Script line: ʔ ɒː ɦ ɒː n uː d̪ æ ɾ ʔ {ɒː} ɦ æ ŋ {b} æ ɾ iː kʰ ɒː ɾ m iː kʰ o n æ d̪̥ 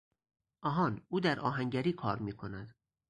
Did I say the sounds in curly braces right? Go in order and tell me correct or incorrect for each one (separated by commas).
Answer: correct, incorrect